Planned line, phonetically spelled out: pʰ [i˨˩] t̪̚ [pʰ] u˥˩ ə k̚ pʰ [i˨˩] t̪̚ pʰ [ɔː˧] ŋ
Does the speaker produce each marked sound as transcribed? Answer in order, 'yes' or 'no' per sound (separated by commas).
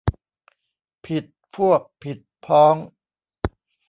yes, yes, yes, no